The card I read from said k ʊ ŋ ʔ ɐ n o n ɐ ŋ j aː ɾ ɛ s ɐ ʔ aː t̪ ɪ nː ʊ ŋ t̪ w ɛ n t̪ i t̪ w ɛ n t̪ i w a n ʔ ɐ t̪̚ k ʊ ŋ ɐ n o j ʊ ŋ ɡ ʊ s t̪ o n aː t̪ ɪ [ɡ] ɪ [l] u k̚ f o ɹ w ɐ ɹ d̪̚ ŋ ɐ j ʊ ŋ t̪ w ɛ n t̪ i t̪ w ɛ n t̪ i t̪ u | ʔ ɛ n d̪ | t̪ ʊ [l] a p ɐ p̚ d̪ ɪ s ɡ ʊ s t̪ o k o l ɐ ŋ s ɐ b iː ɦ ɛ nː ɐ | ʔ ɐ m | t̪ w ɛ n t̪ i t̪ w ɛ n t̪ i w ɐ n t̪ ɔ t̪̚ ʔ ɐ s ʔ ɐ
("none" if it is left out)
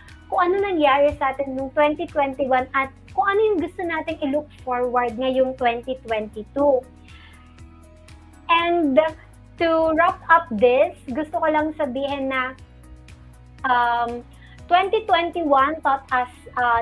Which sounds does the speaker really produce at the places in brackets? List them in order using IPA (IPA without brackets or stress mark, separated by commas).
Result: ŋ, l, ɹ